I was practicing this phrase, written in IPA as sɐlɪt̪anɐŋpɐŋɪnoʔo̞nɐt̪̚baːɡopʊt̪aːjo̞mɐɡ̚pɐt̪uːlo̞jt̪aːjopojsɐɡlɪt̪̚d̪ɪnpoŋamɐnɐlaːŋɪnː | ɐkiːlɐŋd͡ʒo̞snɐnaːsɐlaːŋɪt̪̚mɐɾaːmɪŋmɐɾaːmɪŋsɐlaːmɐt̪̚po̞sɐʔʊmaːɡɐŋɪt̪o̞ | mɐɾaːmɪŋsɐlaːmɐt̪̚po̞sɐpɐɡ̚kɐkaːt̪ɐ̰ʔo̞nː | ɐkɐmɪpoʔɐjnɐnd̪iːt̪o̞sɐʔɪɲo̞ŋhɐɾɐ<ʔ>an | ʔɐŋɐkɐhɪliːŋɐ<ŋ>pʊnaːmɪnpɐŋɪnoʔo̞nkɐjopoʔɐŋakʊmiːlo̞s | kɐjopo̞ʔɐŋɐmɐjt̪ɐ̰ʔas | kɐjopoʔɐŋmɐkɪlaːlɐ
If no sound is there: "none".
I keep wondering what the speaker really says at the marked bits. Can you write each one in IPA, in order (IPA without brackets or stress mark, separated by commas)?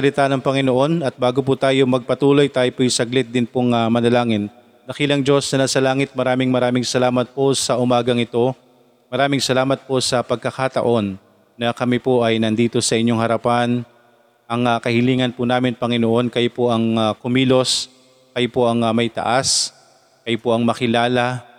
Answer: p, n